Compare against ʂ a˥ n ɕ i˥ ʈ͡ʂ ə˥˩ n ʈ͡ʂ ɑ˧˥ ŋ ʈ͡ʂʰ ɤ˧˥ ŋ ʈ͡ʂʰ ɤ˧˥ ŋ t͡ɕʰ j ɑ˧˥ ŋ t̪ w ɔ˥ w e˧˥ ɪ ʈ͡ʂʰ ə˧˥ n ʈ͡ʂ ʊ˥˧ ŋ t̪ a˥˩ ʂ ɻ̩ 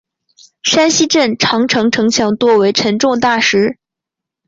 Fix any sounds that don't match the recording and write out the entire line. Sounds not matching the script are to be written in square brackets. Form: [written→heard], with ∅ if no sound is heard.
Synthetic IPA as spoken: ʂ a˥ n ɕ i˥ ʈ͡ʂ ə˥˩ n [ʈ͡ʂ→ʈ͡ʂʰ] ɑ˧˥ ŋ ʈ͡ʂʰ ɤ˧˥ ŋ ʈ͡ʂʰ ɤ˧˥ ŋ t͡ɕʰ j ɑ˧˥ ŋ t̪ w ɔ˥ w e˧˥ ɪ ʈ͡ʂʰ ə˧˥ n ʈ͡ʂ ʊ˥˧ ŋ t̪ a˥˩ ʂ ɻ̩